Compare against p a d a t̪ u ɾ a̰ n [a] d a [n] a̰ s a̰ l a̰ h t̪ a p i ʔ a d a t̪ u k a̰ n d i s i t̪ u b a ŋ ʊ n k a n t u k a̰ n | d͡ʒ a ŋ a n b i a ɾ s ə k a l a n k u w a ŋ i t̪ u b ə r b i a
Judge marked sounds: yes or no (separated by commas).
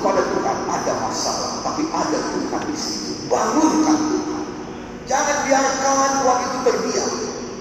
yes, no